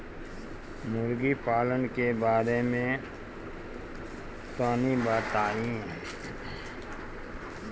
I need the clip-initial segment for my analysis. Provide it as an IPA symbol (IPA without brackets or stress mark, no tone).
m